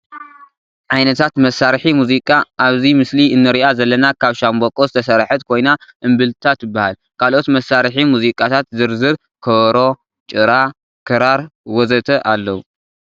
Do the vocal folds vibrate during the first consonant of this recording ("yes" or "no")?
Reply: yes